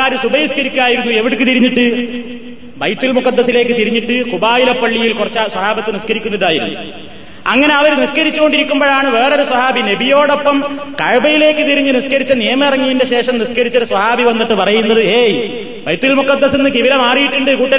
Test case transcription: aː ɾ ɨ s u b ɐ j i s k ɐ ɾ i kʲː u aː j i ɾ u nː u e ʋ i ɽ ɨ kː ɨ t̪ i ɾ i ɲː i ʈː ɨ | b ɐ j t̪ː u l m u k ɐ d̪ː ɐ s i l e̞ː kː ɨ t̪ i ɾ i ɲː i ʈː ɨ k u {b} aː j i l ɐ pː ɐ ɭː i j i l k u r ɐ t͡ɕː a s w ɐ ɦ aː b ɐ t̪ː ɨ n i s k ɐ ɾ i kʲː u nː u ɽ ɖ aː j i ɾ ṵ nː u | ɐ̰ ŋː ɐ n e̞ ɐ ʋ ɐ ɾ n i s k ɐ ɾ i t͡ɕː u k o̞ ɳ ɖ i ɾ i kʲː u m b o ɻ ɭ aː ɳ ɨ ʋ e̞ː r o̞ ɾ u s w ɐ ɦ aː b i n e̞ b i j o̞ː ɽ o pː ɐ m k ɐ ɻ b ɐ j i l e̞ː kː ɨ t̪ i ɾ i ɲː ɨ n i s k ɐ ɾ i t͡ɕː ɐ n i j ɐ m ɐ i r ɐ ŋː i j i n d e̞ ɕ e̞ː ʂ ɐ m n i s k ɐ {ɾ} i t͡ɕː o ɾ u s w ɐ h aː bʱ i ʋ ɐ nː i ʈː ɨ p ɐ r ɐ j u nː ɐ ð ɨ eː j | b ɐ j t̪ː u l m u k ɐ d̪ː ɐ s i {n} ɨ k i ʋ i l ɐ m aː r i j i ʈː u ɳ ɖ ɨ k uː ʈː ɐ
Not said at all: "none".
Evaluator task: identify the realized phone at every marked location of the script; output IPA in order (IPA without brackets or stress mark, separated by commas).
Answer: b, ɾ, nː